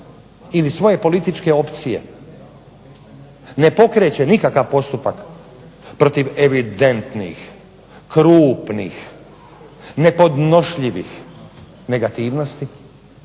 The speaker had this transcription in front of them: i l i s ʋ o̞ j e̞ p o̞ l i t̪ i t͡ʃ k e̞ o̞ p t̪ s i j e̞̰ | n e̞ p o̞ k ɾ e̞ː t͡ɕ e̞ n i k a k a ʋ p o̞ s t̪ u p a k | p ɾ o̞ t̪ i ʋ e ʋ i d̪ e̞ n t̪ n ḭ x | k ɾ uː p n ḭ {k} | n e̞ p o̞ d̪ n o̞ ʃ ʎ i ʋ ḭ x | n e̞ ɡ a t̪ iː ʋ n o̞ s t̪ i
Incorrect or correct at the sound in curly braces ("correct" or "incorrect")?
incorrect